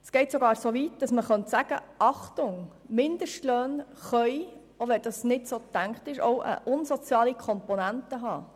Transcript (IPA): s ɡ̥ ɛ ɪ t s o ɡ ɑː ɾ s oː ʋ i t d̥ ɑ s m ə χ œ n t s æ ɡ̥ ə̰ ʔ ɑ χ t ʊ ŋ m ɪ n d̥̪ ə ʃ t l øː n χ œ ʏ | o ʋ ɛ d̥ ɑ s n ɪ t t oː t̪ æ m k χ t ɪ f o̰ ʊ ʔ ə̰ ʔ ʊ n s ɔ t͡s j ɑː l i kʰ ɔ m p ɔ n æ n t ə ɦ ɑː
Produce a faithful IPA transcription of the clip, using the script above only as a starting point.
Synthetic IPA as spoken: s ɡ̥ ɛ ɪ t s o ɡ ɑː ɾ s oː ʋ i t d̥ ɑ s m ə χ œ n t s æ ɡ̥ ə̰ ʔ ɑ χ t ʊ ŋ m ɪ n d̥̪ ə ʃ t l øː n χ œ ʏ | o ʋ ɛ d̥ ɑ s n ɪ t s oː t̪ æ ŋ k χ t ɪ ʃ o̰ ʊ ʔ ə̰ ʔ ʊ n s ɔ t͡s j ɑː l i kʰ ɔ m p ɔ n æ n t ə ɦ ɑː